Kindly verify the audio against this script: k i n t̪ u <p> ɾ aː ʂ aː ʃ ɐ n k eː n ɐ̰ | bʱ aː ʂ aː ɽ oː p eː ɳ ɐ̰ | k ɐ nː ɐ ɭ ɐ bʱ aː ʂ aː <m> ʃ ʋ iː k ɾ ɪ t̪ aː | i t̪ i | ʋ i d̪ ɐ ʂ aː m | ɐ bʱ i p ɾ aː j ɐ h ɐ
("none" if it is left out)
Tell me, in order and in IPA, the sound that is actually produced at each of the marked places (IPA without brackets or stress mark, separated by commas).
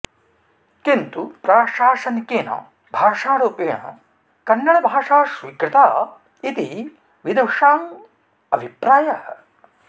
p, none